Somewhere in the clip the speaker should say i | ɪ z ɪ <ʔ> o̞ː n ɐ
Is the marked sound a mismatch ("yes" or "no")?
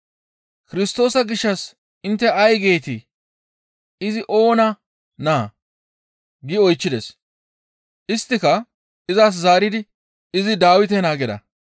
no